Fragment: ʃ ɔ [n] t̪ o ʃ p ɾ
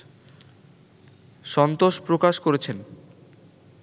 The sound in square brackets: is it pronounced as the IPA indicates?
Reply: yes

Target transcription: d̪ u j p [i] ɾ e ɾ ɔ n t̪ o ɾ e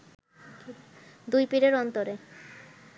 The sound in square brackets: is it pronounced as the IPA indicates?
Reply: yes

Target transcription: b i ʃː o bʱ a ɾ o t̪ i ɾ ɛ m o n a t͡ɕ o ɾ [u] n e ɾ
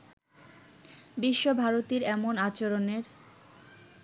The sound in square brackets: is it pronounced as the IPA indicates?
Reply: no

